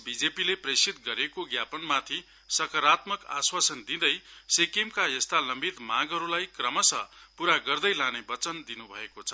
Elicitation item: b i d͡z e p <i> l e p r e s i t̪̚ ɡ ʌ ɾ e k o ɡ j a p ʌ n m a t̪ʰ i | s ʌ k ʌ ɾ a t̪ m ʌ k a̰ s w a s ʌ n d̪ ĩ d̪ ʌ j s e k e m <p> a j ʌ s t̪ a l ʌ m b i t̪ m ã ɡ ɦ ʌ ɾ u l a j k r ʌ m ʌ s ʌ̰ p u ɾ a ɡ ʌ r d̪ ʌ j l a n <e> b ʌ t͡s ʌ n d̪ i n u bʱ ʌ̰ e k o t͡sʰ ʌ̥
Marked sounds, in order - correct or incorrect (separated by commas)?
correct, incorrect, correct